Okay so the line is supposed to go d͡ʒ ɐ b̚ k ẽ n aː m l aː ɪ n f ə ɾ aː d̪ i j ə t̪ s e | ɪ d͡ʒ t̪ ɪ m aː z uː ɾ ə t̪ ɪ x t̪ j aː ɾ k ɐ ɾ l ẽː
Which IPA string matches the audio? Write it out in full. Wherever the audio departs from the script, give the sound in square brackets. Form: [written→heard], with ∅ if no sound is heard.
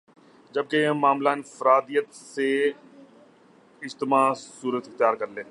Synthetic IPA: d͡ʒ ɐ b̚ k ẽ [n→m] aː m l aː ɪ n f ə ɾ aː d̪ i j ə t̪ s e | ɪ d͡ʒ t̪ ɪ m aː [z→s] uː ɾ ə t̪ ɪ x t̪ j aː ɾ k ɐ ɾ l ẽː